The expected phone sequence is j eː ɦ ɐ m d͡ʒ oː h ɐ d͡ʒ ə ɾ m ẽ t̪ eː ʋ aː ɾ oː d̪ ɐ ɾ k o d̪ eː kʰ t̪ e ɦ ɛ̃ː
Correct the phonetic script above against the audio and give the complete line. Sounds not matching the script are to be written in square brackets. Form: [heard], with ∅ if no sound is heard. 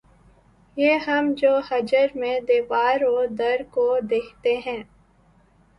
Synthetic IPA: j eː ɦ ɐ m d͡ʒ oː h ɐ d͡ʒ ə ɾ m ẽ [d̪] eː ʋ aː ɾ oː d̪ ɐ ɾ k o d̪ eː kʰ t̪ e ɦ ɛ̃ː